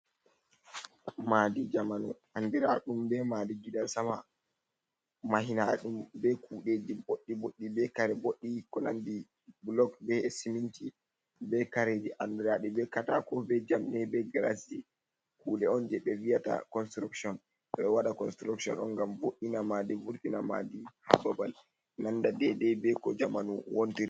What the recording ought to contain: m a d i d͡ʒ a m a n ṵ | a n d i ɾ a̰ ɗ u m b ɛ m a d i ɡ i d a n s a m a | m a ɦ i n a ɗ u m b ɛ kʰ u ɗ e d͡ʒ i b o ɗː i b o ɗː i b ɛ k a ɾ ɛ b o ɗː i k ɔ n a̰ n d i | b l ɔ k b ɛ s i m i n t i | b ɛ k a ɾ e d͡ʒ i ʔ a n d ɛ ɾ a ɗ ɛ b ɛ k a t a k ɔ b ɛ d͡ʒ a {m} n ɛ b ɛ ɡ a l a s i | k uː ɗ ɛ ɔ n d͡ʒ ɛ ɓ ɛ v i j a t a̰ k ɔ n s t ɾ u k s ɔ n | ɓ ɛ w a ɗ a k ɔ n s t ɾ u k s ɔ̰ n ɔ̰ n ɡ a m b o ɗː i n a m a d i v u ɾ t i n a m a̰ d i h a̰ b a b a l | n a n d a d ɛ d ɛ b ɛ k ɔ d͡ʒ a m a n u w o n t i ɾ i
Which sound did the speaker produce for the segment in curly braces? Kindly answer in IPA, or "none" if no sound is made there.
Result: m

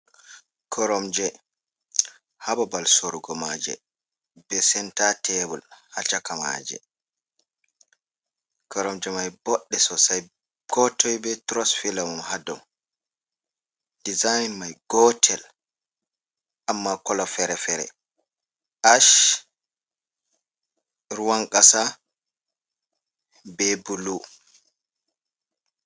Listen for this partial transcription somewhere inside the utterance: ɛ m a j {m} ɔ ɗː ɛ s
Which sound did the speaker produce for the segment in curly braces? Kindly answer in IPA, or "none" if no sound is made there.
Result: b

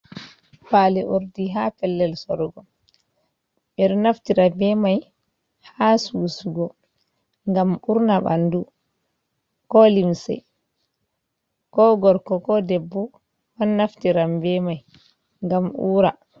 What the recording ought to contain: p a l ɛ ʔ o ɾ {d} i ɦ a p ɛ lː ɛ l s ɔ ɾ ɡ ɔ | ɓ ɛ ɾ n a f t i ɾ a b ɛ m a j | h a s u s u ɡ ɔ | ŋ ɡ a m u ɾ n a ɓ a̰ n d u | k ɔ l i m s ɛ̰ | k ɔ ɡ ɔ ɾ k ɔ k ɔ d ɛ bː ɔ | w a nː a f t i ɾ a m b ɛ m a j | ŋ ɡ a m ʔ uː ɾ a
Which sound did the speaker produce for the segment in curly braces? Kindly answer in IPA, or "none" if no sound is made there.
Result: d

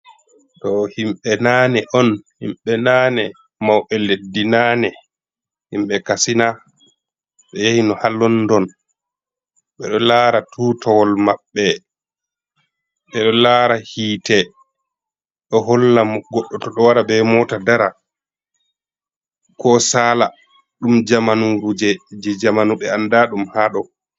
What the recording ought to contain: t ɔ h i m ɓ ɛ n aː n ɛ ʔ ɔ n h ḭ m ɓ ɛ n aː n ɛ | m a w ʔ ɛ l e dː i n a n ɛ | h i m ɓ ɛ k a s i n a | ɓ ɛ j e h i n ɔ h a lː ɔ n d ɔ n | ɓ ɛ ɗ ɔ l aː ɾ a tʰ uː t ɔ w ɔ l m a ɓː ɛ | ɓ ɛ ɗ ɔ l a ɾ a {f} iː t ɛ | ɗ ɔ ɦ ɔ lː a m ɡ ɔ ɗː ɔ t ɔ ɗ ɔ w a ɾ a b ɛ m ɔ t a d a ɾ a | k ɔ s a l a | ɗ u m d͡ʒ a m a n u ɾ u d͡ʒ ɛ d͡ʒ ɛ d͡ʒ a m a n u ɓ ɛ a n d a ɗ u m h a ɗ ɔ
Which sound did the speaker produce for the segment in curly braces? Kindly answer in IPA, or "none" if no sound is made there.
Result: h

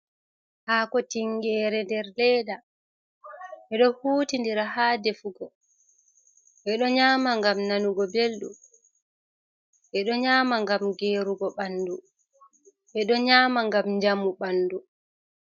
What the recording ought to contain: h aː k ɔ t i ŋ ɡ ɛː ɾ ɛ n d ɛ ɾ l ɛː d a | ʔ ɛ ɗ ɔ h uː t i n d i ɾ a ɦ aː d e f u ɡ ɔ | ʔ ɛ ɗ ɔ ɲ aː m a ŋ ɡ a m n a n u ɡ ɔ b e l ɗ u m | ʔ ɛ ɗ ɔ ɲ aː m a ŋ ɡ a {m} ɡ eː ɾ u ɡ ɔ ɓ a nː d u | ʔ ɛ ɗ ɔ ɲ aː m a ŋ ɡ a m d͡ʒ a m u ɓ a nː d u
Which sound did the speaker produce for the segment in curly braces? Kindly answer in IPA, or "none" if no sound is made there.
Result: m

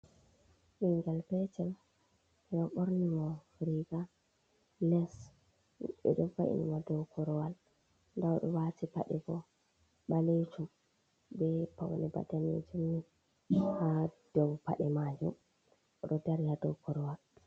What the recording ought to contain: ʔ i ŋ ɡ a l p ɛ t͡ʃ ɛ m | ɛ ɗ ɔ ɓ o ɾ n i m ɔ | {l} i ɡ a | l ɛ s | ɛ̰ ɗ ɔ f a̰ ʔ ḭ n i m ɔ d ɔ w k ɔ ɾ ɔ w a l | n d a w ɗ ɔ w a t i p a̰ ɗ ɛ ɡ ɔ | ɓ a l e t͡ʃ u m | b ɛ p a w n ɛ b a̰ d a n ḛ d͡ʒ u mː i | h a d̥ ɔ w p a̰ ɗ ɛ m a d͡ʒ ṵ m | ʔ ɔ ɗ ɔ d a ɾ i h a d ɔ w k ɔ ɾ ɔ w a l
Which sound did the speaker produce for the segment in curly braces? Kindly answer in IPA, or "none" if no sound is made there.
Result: ɾ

